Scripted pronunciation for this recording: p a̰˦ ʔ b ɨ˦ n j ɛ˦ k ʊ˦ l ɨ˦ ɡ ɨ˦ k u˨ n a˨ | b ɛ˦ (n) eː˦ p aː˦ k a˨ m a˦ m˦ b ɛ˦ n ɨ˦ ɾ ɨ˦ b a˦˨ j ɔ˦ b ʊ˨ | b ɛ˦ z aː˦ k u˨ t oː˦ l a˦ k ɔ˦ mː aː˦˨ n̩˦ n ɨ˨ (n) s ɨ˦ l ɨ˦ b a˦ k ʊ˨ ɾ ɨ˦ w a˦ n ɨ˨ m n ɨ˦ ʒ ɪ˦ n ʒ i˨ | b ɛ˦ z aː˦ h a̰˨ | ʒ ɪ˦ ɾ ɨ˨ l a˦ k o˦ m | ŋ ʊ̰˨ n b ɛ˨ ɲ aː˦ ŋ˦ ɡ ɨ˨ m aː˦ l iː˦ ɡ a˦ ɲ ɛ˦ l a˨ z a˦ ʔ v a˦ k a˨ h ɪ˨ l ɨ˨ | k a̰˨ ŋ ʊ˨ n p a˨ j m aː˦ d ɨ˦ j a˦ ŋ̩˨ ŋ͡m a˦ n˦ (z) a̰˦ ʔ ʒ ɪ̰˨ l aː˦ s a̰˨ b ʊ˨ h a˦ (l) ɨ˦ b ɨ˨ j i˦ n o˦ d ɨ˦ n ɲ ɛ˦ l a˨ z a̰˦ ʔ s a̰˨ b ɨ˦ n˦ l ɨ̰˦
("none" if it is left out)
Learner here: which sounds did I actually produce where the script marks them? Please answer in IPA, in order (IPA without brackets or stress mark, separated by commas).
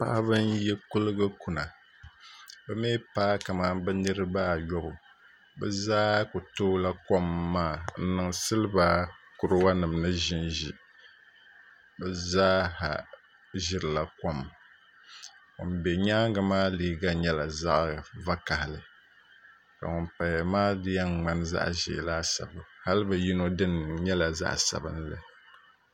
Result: m, ŋ, z, l